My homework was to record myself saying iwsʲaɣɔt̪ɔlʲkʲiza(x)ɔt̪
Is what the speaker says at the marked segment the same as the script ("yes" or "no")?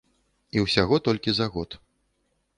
no